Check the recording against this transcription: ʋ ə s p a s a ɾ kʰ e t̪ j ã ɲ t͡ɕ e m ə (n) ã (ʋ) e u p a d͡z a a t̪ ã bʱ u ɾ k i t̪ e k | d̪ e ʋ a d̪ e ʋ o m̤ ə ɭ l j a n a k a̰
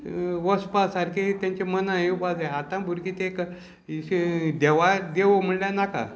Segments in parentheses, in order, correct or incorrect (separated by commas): correct, incorrect